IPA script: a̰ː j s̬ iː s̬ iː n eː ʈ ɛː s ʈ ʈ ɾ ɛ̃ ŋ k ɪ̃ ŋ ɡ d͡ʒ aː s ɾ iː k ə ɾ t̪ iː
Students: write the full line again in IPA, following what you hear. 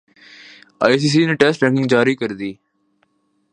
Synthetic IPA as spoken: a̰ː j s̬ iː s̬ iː n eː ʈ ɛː s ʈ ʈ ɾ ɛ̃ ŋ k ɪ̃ ŋ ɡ d͡ʒ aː ɾ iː k ə ɾ d̪ iː